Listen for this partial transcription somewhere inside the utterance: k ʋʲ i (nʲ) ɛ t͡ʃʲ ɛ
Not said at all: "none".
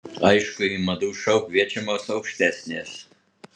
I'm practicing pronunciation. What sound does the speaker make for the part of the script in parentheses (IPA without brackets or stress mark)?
none